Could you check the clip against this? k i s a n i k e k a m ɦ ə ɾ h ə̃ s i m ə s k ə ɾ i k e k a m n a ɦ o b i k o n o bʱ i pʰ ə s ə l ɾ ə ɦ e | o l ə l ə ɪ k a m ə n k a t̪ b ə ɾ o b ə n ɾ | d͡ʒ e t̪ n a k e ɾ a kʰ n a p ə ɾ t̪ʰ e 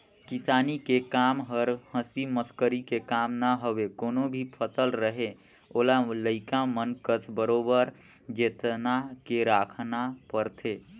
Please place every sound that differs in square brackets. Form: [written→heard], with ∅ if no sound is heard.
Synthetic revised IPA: k i s a n i k e k a m ɦ ə ɾ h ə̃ s i m ə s k ə ɾ i k e k a m n a ɦ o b [i→e] k o n o bʱ i pʰ ə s ə l ɾ ə ɦ e | o l [ə→a] l ə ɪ k a m ə n k [a→ə] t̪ b ə ɾ o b ə [n→∅] ɾ | d͡ʒ e t̪ n a k e ɾ a kʰ n a p ə ɾ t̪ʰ e